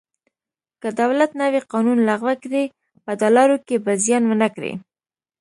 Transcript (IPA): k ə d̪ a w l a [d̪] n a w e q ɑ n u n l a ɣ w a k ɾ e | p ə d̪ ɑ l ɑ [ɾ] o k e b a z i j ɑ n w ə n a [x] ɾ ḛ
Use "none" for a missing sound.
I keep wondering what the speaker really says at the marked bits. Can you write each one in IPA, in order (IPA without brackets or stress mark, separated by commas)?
t̪, ɾ, k